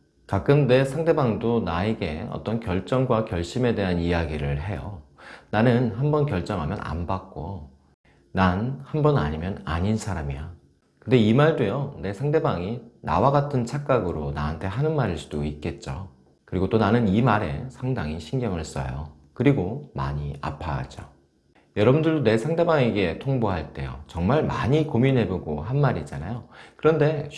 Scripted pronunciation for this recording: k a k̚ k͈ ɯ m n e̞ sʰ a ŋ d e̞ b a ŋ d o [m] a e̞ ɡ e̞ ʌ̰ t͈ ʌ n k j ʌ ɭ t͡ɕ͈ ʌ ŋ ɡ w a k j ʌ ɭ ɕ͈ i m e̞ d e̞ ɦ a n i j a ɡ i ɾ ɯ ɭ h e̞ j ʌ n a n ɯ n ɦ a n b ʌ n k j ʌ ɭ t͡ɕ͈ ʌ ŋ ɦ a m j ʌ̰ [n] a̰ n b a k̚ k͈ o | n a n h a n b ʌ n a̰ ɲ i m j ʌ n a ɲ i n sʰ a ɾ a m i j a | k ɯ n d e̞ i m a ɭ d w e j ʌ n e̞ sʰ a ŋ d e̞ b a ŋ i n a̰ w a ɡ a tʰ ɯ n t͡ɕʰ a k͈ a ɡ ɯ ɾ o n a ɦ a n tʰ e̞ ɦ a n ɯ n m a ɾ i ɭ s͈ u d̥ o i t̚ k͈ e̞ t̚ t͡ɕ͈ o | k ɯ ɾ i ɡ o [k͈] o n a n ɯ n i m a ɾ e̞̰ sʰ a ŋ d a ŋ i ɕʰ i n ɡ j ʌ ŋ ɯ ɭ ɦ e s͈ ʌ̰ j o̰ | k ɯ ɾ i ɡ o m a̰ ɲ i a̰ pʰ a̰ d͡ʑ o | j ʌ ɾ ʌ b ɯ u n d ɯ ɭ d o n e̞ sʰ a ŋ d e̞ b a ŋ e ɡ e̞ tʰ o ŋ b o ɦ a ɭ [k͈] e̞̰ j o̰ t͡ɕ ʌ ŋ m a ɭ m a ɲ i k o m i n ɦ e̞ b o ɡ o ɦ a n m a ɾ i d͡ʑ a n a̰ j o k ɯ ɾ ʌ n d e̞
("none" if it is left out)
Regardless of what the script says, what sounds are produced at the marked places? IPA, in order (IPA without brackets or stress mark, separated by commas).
n, n, t͈, t͈